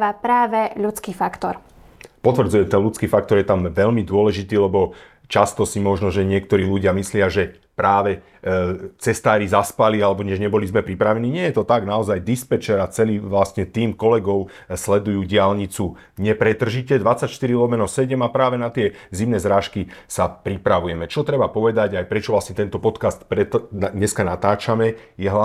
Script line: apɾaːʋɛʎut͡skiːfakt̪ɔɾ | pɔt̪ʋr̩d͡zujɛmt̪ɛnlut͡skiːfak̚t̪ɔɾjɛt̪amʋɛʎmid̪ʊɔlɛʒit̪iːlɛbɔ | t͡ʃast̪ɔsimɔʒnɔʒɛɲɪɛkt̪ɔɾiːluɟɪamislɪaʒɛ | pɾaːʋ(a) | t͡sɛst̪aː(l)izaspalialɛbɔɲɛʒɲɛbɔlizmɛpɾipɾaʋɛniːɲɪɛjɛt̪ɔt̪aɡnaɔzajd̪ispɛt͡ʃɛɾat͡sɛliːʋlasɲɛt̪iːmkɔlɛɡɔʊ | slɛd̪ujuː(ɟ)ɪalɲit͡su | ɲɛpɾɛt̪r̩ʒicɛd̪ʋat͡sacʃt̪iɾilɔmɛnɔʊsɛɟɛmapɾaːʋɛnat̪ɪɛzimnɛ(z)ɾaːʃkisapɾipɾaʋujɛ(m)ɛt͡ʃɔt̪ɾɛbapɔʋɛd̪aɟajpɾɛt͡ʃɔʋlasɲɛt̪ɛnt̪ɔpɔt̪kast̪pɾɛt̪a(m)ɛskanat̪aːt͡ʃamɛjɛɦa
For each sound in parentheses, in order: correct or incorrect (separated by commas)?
incorrect, incorrect, correct, correct, correct, incorrect